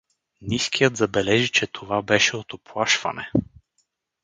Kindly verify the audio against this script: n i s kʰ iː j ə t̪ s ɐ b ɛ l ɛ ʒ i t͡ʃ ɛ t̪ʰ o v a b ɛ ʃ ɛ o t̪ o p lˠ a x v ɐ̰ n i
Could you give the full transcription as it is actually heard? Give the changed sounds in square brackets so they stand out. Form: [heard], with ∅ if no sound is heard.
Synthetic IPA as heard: n i s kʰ [i] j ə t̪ [z] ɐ b ɛ l ɛ ʒ i t͡ʃ ɛ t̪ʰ o v a b ɛ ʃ ɛ o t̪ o p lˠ a [ʃ] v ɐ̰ n [ɛ]